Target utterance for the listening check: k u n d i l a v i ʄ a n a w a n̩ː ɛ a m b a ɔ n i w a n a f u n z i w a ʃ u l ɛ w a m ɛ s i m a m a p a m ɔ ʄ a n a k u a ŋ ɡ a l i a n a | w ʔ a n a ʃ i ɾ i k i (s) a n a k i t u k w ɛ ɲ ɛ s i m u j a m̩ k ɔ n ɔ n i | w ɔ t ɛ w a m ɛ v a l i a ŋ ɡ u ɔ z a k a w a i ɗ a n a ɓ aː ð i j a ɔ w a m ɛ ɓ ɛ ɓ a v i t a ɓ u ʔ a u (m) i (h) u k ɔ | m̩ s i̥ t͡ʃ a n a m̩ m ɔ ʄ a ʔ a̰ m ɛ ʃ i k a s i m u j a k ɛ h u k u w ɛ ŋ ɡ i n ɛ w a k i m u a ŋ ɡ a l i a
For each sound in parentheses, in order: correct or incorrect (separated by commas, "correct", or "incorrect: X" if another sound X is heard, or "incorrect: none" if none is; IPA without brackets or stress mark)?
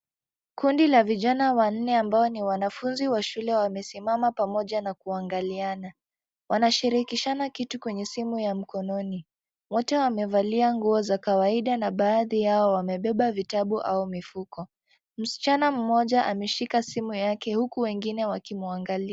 incorrect: ʃ, correct, incorrect: f